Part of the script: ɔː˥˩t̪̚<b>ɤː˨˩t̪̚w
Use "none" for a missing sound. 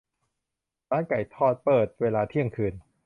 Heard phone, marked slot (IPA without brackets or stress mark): p